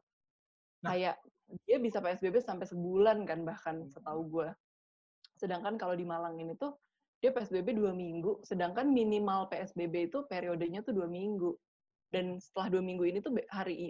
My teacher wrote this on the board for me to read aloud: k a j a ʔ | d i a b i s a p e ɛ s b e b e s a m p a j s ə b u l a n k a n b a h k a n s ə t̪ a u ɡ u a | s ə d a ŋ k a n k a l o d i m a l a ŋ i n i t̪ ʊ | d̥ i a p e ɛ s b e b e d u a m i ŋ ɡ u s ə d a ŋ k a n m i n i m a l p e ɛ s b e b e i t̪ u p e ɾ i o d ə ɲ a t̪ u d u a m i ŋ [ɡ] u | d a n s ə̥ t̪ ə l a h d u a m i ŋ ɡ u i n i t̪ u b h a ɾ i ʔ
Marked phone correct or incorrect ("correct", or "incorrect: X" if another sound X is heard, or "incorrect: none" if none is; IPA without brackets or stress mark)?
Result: correct